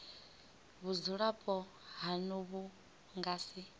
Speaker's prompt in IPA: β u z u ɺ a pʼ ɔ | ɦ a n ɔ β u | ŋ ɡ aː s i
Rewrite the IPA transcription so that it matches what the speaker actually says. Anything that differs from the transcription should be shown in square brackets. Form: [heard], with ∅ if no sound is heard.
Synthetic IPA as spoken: β u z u ɺ a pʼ ɔ | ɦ a n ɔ β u | ŋ ɡ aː s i